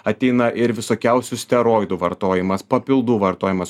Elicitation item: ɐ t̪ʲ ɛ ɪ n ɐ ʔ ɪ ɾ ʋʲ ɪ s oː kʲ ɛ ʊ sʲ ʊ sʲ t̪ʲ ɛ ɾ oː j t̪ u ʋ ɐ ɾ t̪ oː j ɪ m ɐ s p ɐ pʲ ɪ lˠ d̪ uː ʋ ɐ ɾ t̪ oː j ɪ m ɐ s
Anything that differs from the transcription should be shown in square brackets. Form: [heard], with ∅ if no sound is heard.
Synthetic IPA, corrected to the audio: ɐ t̪ʲ ɛ ɪ n ɐ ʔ ɪ ɾ ʋʲ ɪ s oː kʲ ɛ ʊ sʲ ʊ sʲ t̪ʲ ɛ ɾ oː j [d̪] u ʋ ɐ ɾ t̪ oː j ɪ m ɐ s p ɐ pʲ ɪ lˠ d̪ uː ʋ ɐ ɾ t̪ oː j ɪ m ɐ s